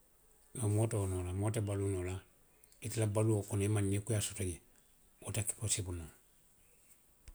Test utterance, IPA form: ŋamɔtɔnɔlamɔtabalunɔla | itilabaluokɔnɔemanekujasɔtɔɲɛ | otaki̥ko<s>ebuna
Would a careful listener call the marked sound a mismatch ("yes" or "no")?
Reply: no